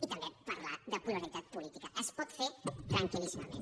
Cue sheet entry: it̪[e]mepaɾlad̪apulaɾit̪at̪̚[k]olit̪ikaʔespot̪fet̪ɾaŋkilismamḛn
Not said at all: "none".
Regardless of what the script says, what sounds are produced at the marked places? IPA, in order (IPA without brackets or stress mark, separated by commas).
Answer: a, p